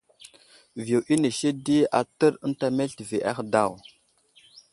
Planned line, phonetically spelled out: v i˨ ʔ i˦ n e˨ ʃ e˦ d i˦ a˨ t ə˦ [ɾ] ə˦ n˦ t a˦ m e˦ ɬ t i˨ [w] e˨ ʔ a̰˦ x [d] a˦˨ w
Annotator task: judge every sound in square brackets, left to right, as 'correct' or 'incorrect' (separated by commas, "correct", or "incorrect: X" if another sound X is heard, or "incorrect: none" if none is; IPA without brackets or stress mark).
correct, incorrect: v, correct